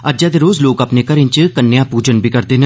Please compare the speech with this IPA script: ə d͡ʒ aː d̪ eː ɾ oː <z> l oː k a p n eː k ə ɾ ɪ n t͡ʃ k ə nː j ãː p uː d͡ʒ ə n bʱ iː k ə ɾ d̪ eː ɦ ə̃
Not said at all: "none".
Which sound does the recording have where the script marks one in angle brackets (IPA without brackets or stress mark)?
z